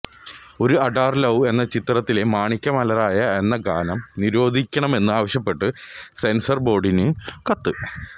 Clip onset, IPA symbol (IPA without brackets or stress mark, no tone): o̞